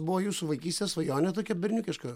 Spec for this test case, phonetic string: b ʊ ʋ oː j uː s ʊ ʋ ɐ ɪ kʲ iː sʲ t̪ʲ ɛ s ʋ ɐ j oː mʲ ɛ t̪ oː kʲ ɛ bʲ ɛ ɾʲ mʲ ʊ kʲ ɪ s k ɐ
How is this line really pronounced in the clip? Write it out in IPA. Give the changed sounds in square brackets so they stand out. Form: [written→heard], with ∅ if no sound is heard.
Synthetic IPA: b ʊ ʋ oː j uː s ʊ ʋ ɐ ɪ kʲ iː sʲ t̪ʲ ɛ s ʋ ɐ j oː [mʲ→nʲ] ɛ t̪ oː kʲ ɛ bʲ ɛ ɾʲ [mʲ→nʲ] ʊ kʲ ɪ [s→ʃ] k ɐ